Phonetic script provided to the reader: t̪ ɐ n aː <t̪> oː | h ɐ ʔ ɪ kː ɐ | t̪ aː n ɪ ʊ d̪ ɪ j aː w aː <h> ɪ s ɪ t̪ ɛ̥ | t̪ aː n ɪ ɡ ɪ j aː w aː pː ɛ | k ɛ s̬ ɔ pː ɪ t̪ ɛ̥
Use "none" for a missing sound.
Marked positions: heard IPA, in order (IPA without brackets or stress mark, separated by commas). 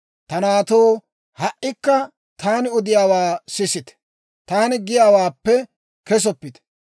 t̪, s